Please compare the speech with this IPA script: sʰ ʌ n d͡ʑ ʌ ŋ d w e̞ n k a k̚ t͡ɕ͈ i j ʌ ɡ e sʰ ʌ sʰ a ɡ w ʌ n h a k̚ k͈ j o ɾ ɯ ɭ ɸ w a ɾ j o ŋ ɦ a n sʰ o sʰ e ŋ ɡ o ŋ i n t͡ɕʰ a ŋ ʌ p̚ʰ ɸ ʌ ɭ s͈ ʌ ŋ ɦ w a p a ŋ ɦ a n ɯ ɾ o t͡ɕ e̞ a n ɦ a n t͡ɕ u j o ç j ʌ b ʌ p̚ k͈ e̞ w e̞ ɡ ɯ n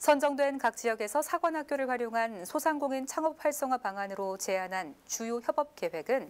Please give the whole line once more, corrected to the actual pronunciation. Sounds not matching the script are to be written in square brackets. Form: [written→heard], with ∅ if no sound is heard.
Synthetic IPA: sʰ ʌ n d͡ʑ ʌ ŋ d w e̞ n k a k̚ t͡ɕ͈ i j ʌ ɡ e sʰ ʌ sʰ a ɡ w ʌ n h a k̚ k͈ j o ɾ ɯ ɭ ɸ w a ɾ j o ŋ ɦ a n sʰ o sʰ [e→a] ŋ ɡ o ŋ i n t͡ɕʰ a ŋ ʌ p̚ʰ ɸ [ʌ→a] ɭ s͈ ʌ ŋ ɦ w a p a ŋ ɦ a n ɯ ɾ o t͡ɕ e̞ a n ɦ a n t͡ɕ u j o ç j ʌ b ʌ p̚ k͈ e̞ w e̞ ɡ ɯ n